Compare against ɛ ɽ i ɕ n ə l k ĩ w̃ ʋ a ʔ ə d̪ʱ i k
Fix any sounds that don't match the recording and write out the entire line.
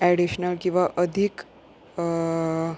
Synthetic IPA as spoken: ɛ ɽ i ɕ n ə l k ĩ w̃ ʋ a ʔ ə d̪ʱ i k